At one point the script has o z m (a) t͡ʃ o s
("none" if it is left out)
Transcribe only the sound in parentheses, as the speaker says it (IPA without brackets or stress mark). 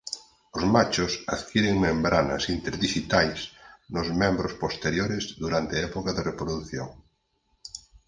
a